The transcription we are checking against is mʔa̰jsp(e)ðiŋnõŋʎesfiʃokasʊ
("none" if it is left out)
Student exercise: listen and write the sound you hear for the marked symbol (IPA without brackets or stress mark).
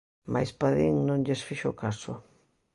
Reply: a